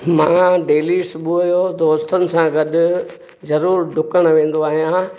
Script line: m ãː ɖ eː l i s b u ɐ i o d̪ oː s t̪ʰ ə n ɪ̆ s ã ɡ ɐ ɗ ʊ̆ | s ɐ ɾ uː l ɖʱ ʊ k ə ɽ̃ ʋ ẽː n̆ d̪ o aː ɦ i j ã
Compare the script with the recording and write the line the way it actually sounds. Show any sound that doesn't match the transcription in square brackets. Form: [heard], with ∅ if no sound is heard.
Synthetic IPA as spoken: m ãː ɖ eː l i s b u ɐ [j] o d̪ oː s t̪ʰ ə n ɪ̆ s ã ɡ ɐ ɗ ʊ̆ | [z] ɐ ɾ uː [ɾ] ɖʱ ʊ k ə ɽ̃ ʋ ẽː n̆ d̪ o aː ɦ i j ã